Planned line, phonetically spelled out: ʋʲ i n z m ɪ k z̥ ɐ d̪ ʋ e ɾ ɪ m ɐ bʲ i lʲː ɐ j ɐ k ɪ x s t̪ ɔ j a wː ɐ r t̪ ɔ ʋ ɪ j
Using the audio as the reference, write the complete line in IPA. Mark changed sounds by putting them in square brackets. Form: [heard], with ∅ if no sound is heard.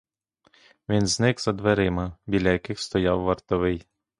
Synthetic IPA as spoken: ʋʲ i n z [n] ɪ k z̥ ɐ d̪ ʋ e ɾ ɪ m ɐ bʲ i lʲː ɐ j ɐ k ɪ x s t̪ ɔ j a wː ɐ r t̪ ɔ ʋ ɪ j

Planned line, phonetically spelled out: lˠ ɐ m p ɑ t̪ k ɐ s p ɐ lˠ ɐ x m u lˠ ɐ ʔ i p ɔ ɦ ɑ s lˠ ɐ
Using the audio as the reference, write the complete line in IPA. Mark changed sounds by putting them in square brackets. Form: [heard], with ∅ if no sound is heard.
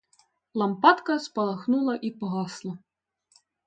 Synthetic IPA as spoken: lˠ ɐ m p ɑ t̪ k ɐ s p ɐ lˠ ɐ x [n] u lˠ ɐ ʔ i p ɔ ɦ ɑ s lˠ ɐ

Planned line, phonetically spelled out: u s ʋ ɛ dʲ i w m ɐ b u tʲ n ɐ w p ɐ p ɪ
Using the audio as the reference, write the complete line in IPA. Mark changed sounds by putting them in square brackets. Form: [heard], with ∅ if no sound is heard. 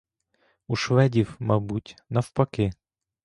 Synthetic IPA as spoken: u [ʃ] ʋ ɛ dʲ i w m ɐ b u tʲ n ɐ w p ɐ [k] ɪ

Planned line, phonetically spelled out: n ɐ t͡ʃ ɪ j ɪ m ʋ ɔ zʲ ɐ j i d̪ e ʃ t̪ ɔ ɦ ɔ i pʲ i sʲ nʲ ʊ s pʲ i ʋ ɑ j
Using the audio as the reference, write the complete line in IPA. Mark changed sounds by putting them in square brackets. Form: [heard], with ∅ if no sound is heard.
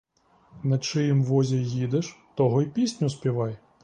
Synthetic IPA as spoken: n ɐ t͡ʃ ɪ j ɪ m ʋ ɔ zʲ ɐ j i d̪ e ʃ t̪ ɔ ɦ ɔ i pʲ i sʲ nʲ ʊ s pʲ i ʋ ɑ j

